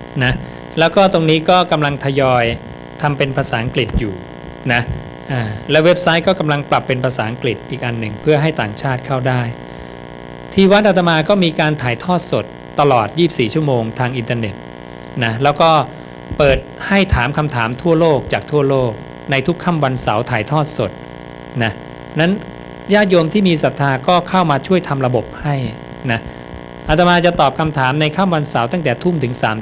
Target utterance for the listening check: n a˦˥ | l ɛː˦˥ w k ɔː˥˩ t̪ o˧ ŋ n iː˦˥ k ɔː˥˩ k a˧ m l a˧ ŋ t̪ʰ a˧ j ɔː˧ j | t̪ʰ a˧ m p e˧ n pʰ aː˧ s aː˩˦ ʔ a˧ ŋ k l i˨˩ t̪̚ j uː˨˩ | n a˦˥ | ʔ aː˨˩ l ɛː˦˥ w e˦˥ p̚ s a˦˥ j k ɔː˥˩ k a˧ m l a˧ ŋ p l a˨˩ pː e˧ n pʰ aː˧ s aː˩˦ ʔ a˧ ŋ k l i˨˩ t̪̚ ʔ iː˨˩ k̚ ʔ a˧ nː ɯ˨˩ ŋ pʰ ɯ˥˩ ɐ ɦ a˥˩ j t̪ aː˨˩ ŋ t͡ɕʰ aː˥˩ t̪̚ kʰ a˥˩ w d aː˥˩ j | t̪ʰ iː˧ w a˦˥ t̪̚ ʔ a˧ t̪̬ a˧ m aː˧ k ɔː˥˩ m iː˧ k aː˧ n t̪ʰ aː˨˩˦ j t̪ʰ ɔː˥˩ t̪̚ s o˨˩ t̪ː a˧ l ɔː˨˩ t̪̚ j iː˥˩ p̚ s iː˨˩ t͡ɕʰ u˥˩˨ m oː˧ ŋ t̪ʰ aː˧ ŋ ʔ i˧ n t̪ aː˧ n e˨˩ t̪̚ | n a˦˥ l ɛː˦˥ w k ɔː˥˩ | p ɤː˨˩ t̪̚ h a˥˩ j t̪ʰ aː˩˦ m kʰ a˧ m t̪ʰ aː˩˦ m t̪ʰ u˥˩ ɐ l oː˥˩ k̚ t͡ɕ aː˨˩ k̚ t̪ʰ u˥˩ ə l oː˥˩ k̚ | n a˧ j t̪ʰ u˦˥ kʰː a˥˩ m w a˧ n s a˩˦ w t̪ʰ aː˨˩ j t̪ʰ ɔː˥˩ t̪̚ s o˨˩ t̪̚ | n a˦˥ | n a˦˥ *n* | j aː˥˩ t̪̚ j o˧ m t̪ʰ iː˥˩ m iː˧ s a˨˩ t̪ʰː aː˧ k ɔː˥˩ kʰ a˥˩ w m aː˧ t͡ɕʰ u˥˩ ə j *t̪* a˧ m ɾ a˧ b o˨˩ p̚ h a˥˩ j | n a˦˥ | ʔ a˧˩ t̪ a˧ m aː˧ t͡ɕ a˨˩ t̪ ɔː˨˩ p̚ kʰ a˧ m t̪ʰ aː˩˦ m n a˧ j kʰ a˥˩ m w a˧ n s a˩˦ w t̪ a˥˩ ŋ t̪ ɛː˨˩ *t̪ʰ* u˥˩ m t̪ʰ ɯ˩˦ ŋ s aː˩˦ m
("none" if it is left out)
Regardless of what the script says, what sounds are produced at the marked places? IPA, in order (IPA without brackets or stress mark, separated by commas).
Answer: n, t̪ʰ, t̪ʰ